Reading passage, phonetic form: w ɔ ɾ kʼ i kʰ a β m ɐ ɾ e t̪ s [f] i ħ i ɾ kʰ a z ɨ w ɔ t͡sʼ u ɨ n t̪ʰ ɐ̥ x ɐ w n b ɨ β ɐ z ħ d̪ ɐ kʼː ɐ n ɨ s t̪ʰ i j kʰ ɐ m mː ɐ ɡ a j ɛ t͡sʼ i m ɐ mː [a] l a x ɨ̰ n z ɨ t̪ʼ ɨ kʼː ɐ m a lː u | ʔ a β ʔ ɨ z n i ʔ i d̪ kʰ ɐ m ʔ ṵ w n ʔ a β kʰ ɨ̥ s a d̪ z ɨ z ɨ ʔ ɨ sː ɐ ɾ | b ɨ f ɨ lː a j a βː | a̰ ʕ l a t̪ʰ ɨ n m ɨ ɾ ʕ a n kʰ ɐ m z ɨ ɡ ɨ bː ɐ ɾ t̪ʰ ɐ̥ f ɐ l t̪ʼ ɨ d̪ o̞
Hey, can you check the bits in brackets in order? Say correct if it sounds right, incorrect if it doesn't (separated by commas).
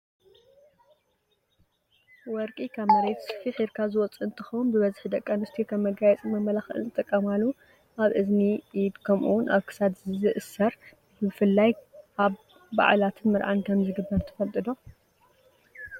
correct, incorrect